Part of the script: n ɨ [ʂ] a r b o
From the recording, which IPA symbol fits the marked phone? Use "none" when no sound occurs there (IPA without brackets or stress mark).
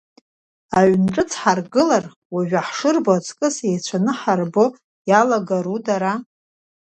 ħ